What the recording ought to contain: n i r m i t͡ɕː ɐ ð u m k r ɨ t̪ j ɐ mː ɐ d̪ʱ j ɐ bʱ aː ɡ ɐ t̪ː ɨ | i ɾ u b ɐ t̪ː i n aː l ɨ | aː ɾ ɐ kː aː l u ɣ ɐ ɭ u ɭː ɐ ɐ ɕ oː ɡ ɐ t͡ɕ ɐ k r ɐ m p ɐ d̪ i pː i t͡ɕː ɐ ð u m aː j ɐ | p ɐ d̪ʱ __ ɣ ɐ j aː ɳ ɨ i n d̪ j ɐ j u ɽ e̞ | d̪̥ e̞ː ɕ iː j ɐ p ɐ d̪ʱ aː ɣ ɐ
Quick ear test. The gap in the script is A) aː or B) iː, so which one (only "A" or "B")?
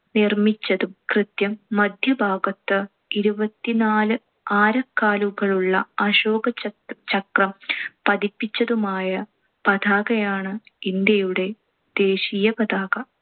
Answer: A